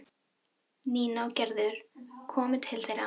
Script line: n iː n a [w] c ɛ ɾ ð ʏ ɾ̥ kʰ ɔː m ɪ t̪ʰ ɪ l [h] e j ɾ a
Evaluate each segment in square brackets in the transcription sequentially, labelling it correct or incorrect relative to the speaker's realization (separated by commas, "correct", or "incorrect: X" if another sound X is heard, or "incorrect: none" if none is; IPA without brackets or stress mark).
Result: correct, incorrect: θ